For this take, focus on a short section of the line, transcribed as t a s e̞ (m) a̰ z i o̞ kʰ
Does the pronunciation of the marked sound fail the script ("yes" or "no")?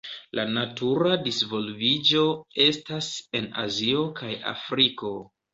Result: yes